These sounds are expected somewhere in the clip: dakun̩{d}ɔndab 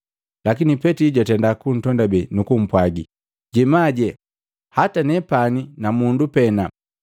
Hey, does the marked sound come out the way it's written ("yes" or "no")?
no